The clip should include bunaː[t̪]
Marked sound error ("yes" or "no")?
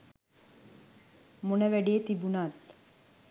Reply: no